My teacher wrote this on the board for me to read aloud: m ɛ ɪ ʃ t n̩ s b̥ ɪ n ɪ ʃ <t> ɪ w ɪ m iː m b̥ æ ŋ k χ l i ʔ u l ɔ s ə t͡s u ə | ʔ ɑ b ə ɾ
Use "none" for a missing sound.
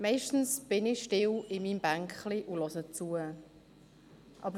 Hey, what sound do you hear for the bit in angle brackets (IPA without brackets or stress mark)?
t